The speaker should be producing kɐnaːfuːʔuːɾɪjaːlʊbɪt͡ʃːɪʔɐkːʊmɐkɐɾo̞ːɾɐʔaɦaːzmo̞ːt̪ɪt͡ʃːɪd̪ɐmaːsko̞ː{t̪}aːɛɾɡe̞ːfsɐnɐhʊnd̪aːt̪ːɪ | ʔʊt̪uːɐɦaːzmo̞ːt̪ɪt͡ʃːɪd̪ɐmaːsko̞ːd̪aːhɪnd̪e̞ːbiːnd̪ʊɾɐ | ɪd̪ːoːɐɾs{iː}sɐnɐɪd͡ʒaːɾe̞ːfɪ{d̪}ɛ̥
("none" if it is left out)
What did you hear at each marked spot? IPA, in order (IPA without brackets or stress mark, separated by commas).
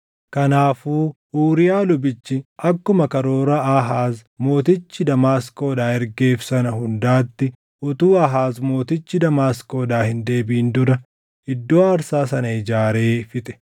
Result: d̪, aː, t̪